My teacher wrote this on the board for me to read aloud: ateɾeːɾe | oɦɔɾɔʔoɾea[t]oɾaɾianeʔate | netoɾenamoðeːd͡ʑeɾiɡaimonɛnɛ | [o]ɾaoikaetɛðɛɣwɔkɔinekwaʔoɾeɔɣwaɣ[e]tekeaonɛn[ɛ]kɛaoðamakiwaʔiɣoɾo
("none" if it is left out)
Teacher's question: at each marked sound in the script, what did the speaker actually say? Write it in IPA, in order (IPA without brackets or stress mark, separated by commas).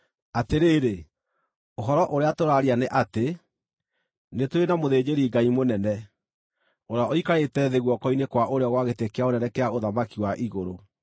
t, o, e, ɛ